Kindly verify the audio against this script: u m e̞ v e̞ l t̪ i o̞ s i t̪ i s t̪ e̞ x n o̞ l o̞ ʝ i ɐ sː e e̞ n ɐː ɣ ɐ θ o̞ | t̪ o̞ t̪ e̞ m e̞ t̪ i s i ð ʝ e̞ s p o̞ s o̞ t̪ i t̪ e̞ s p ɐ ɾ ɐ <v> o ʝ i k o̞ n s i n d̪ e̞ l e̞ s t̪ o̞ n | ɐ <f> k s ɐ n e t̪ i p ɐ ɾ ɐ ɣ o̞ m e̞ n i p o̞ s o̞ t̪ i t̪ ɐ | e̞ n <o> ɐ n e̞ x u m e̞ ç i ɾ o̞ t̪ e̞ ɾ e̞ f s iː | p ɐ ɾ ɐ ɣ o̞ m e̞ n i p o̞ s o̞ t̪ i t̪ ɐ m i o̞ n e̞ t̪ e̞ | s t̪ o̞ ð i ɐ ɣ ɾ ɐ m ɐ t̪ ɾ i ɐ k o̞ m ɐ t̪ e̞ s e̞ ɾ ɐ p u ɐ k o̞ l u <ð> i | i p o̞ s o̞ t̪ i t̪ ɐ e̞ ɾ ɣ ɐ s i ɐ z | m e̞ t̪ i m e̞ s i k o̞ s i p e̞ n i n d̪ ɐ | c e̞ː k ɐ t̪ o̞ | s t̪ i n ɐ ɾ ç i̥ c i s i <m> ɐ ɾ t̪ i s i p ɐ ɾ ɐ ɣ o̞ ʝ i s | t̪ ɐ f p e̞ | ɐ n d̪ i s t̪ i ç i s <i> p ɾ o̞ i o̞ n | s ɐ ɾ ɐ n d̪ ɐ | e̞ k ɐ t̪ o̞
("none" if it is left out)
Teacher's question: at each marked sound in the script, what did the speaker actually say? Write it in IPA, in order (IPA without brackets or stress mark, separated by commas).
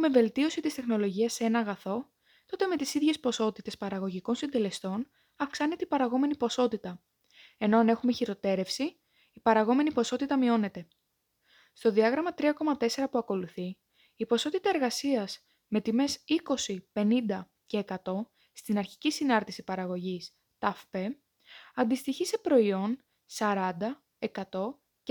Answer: ɣ, f, o, θ, n, e